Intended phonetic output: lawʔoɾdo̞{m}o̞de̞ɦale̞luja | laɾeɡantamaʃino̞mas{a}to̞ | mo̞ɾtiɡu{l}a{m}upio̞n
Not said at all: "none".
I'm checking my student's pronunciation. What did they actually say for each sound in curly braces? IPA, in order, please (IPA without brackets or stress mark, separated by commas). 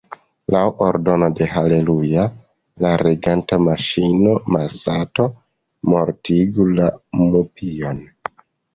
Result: n, a, l, m